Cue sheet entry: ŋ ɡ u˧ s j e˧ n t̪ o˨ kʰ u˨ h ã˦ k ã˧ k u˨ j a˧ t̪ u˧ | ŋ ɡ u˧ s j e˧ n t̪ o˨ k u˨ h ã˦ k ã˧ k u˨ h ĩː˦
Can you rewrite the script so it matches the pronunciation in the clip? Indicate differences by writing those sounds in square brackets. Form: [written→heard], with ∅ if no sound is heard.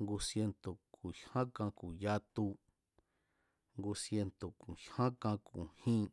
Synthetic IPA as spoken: ŋ ɡ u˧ s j e˧ n t̪ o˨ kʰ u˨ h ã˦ k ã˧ k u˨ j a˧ t̪ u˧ | ŋ ɡ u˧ s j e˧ n t̪ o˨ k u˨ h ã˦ k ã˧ k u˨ h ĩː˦